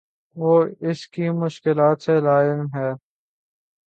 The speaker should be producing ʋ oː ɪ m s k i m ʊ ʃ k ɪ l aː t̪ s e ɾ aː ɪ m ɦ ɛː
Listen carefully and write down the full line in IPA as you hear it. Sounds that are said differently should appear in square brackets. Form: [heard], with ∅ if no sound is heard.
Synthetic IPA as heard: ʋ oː ɪ [∅] s k i m ʊ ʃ k ɪ l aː t̪ s e [l] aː ɪ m ɦ ɛː